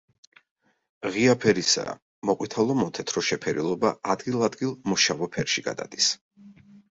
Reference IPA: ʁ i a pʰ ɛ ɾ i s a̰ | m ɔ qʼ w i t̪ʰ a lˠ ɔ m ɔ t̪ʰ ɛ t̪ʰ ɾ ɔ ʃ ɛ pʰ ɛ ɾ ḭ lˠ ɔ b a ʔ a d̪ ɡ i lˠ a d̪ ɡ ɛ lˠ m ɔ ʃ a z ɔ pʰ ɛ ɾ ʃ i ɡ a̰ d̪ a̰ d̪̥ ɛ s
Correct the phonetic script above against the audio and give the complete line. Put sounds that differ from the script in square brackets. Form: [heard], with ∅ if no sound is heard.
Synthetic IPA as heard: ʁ i a pʰ ɛ ɾ i s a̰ | m ɔ qʼ w i t̪ʰ a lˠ ɔ m ɔ t̪ʰ ɛ t̪ʰ ɾ ɔ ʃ ɛ pʰ ɛ ɾ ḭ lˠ ɔ b a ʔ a d̪ ɡ i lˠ a d̪ ɡ [i] lˠ m ɔ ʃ a [v] ɔ pʰ ɛ ɾ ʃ i ɡ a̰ d̪ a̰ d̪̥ [i] s